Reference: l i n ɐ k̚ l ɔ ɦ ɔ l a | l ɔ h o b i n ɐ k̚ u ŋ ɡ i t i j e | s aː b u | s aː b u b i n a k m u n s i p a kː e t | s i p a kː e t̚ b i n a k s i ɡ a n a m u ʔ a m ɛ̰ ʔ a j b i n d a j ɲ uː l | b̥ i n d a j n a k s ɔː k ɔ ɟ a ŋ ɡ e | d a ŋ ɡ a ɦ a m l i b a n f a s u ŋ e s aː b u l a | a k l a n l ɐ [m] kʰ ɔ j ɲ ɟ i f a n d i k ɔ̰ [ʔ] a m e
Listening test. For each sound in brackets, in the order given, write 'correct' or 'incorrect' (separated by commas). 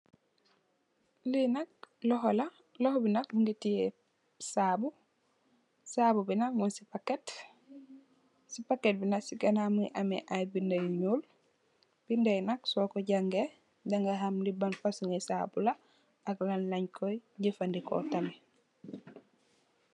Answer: incorrect, incorrect